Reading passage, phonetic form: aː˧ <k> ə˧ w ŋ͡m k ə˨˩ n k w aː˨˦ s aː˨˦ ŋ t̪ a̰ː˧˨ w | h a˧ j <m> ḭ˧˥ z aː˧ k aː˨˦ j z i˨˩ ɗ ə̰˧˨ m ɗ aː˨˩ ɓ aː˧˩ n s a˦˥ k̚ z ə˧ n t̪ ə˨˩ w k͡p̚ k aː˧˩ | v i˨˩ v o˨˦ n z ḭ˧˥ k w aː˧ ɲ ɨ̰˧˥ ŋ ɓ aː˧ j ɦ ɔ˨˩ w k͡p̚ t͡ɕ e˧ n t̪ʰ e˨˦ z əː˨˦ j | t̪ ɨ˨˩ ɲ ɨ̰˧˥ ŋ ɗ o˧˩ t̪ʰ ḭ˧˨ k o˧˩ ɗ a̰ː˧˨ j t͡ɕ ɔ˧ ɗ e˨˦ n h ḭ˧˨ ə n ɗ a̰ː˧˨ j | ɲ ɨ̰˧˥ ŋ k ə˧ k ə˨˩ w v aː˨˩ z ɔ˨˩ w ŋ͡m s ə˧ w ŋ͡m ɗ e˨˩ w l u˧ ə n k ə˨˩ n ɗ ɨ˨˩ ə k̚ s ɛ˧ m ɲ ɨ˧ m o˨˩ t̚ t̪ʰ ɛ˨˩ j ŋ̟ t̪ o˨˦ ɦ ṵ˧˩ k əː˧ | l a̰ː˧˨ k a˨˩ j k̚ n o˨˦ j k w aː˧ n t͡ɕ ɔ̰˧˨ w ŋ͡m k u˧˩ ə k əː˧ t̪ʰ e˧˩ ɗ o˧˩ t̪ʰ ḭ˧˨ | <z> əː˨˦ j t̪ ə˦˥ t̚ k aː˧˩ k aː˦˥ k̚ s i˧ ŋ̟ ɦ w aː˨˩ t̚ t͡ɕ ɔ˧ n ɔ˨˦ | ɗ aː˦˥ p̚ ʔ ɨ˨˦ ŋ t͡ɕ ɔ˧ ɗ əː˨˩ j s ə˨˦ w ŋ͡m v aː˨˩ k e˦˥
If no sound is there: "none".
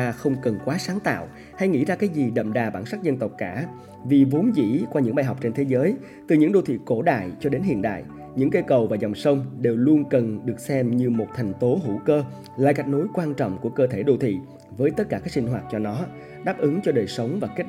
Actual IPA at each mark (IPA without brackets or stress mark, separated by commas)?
x, ŋ, v